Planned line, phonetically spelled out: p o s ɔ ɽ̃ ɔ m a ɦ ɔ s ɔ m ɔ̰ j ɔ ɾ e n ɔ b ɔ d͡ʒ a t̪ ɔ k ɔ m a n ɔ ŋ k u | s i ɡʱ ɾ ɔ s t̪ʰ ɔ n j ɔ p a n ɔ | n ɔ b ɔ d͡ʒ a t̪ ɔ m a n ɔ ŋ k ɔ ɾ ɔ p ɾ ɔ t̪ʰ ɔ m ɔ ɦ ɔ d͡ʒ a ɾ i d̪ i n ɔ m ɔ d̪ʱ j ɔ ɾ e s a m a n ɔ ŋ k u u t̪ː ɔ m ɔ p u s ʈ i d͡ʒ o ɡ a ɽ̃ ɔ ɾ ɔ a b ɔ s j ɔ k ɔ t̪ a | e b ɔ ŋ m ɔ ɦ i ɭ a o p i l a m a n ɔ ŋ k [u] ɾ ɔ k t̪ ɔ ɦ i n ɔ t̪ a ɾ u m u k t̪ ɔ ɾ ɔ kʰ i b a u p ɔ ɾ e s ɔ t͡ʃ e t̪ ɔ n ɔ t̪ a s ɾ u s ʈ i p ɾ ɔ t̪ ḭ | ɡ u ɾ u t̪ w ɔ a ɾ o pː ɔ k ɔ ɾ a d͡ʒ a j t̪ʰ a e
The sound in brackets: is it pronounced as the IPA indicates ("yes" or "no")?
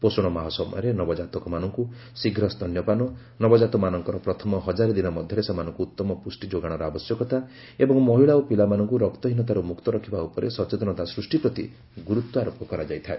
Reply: yes